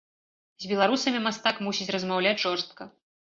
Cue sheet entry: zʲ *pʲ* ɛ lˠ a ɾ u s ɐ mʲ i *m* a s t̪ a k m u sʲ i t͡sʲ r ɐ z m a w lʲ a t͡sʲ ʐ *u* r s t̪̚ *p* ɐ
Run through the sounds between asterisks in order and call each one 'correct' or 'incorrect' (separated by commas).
incorrect, correct, incorrect, incorrect